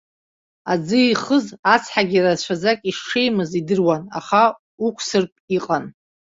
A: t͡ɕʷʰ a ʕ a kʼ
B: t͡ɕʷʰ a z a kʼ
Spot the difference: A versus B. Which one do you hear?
B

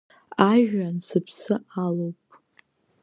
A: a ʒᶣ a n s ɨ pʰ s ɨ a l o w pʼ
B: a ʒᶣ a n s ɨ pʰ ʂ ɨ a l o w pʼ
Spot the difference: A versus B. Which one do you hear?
A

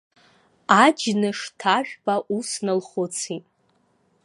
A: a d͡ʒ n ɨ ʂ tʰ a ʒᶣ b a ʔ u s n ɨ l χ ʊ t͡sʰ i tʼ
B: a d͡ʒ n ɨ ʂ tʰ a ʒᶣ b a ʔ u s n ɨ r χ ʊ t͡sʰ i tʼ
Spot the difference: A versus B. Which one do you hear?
A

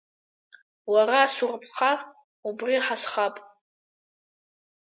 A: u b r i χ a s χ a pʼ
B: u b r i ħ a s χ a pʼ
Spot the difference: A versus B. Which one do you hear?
B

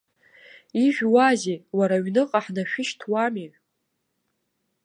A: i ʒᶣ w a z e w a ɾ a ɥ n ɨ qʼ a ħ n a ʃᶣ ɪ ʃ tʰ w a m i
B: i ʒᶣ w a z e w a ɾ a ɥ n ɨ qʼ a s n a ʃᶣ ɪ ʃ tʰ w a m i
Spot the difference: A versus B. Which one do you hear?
A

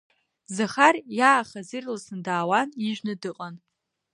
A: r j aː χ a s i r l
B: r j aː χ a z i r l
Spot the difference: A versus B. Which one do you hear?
B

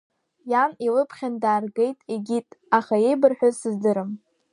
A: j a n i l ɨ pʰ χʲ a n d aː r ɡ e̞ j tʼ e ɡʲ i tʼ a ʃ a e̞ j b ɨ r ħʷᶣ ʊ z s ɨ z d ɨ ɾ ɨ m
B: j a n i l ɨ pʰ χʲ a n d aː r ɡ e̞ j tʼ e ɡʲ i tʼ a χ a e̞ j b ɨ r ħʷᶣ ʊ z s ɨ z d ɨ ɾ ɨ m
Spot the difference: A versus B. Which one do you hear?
B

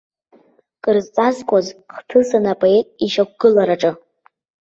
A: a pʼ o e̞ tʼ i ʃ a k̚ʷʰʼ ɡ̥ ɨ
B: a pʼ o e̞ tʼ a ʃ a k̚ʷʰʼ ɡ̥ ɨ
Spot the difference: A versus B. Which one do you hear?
A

